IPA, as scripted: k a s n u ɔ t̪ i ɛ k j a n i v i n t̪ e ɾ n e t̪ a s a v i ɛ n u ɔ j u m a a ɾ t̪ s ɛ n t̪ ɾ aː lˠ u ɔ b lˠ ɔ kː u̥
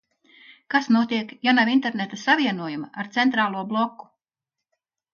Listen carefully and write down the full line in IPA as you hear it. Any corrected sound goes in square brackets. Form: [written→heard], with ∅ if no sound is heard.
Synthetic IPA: k a s n u ɔ t̪ i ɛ k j a n [i→a] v i n t̪ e ɾ n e t̪ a s a v i ɛ n u ɔ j u m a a ɾ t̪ s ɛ n t̪ ɾ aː lˠ u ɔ b lˠ ɔ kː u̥